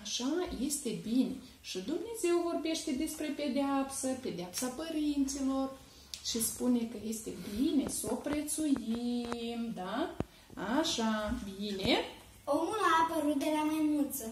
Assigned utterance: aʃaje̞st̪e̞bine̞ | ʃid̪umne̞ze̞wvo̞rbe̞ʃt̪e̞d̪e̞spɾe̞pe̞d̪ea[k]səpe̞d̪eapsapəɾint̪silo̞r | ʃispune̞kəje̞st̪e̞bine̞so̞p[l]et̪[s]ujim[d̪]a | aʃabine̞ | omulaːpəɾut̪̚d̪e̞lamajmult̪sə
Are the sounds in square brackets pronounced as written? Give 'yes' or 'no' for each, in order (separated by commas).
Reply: no, no, yes, yes